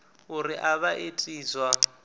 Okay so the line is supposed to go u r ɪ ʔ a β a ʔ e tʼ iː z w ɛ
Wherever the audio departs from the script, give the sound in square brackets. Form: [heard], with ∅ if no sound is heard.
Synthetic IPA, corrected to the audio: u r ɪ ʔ a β a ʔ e tʼ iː z w [a]